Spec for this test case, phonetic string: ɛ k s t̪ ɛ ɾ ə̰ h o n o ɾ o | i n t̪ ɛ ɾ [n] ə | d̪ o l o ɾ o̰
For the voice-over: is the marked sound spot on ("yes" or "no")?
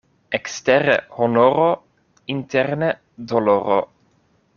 yes